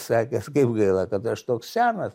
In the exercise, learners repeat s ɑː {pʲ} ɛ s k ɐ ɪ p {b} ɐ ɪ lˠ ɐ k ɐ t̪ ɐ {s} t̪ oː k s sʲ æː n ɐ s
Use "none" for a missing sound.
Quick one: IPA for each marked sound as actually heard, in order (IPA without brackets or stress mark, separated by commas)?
kʲ, ɡ, ʃ